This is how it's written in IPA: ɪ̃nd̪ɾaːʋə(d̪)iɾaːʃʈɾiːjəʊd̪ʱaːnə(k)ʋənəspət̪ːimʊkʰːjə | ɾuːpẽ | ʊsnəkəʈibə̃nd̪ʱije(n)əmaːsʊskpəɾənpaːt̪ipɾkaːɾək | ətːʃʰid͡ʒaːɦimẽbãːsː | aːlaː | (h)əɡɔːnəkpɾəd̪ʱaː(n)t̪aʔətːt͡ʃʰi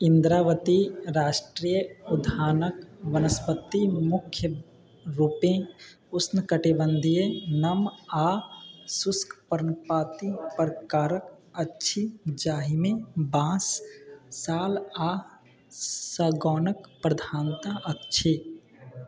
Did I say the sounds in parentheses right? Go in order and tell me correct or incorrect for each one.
incorrect: t̪, correct, correct, incorrect: s, correct

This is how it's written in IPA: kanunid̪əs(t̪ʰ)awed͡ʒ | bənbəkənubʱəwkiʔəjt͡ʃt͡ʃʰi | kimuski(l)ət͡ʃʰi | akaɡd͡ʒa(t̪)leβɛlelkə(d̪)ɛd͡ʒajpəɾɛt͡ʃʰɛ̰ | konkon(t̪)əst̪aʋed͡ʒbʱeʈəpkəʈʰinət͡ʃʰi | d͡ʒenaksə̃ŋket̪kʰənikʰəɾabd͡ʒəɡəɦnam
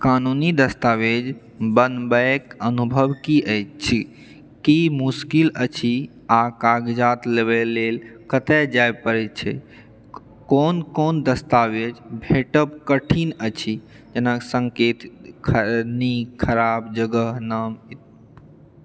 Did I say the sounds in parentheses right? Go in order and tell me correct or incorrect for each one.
incorrect: t̪, correct, correct, incorrect: t̪, incorrect: d̪

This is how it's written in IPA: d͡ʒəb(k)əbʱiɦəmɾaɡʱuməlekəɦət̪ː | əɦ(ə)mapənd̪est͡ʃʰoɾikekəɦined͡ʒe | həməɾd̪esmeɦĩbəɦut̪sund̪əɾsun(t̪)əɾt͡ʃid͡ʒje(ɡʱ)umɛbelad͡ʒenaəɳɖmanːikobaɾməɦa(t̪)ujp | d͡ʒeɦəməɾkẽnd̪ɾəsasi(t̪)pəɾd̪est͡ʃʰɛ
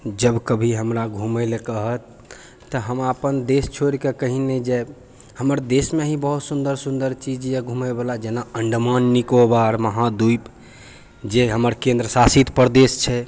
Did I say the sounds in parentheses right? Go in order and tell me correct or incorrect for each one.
correct, correct, incorrect: d̪, correct, incorrect: d̪, correct

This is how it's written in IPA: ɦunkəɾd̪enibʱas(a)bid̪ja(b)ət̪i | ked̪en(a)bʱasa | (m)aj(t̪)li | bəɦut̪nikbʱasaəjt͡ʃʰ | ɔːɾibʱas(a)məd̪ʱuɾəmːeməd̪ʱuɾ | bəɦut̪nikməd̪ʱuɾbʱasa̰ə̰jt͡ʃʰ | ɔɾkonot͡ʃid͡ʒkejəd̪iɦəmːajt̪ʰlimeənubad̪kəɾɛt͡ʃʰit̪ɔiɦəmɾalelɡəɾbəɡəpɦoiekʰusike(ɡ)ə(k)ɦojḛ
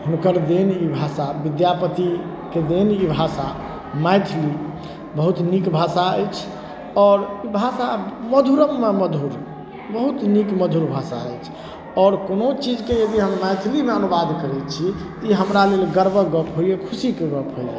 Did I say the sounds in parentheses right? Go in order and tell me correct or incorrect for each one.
correct, incorrect: p, incorrect: i, correct, incorrect: t̪ʰ, correct, correct, incorrect: p

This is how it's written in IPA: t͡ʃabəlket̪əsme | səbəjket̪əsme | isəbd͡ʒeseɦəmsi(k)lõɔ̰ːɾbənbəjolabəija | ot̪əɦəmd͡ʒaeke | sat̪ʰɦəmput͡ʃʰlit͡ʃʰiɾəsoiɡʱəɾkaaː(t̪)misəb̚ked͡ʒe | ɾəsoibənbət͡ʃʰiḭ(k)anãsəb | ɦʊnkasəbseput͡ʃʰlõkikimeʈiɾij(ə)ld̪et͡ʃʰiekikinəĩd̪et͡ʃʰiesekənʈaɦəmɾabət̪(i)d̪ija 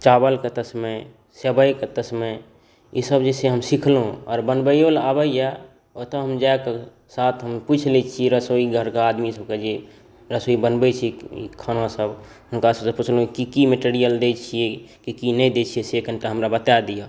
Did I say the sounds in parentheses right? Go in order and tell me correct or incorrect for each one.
incorrect: kʰ, incorrect: d̪, incorrect: kʰ, correct, incorrect: a

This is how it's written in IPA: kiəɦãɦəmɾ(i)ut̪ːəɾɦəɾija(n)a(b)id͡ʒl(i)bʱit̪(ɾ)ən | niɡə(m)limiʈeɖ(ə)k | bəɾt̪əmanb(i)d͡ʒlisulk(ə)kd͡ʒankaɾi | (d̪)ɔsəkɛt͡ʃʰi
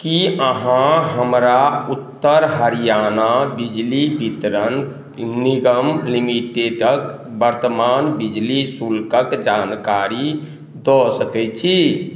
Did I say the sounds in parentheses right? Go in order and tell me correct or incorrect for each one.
incorrect: a, correct, correct, correct, correct, correct, correct, correct, correct, correct

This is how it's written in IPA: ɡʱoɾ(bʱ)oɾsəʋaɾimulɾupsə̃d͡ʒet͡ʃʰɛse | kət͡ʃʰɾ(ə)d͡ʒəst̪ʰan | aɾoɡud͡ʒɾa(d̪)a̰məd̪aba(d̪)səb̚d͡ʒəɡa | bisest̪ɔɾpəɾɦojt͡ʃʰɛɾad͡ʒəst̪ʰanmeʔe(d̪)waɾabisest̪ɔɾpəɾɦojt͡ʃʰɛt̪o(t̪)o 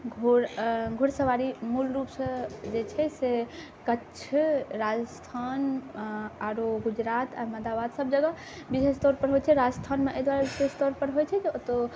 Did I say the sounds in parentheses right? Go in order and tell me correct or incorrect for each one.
incorrect: ɡʱ, incorrect: a, incorrect: t̪, correct, correct, correct

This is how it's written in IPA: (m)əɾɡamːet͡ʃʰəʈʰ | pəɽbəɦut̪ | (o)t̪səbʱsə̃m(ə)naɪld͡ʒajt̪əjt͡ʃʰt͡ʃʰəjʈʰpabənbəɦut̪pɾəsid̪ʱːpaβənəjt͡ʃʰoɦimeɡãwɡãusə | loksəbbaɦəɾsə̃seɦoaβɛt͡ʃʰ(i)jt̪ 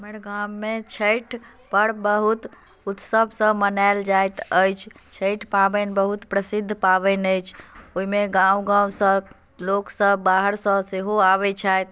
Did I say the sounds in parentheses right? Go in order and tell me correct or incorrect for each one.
correct, incorrect: u, correct, incorrect: a

